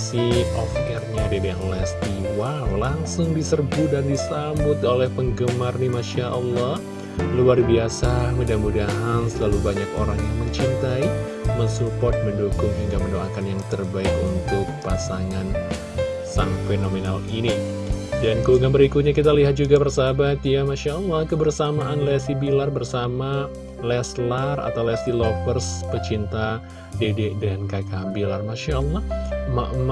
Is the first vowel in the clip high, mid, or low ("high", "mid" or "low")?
high